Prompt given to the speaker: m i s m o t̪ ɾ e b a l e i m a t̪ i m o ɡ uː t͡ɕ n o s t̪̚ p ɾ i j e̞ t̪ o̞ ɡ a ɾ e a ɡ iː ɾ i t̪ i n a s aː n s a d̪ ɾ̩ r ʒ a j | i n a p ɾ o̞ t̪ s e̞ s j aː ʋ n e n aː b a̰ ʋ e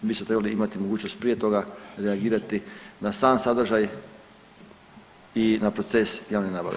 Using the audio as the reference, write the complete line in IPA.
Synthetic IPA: b i s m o t̪ ɾ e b a l i i m a t̪ i m o ɡ uː t͡ɕ n o s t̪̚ p ɾ i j e̞ t̪ o̞ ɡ a ɾ e a ɡ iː ɾ a t̪ i n a s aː n s a d̪ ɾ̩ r ʒ a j | i n a p ɾ o̞ t̪ s e̞ s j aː ʋ n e n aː b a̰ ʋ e